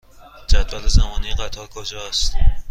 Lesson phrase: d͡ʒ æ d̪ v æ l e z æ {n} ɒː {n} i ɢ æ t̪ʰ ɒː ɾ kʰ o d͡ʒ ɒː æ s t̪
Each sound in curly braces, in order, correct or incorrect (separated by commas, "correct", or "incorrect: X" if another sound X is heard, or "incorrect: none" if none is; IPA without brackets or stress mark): incorrect: m, correct